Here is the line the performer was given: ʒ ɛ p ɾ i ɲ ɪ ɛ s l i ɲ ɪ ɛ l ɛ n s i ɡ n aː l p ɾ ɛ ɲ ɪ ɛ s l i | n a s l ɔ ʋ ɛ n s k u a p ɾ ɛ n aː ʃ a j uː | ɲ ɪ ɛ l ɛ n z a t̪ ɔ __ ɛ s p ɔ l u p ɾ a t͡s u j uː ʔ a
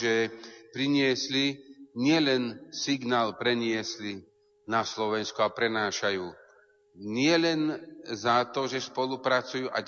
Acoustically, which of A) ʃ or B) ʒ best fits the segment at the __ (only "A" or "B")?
B